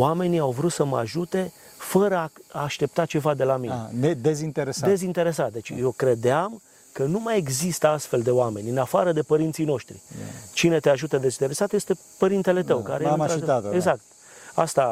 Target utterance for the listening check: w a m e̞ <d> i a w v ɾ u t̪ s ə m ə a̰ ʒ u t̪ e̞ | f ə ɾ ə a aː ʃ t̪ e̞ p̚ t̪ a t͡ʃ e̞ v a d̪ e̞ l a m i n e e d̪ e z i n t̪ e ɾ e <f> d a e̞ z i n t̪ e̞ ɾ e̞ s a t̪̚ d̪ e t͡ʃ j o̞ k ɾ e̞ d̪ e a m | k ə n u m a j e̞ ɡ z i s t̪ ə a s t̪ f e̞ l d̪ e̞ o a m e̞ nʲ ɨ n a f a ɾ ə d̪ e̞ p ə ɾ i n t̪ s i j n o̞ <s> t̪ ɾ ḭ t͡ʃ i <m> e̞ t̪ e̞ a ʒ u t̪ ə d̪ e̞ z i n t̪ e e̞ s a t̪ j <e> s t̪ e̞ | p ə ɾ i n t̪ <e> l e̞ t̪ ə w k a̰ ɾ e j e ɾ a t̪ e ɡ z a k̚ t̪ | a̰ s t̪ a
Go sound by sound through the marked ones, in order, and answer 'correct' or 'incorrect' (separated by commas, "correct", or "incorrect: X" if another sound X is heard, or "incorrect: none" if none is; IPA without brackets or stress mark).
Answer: incorrect: n, incorrect: s, incorrect: ʃ, incorrect: n, correct, correct